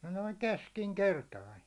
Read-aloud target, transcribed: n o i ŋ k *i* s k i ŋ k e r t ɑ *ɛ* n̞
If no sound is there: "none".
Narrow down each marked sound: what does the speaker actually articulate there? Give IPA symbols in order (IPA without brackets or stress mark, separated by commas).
e, i